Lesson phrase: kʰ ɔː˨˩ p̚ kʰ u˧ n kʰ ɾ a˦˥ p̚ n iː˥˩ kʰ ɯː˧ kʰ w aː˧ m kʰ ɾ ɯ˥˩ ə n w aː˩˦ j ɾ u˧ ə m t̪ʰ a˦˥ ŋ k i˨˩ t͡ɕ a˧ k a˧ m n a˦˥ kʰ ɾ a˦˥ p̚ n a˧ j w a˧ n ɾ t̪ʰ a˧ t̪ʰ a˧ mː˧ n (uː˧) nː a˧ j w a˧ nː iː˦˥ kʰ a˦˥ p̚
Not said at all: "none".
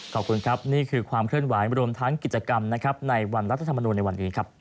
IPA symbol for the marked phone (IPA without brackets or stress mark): uː˧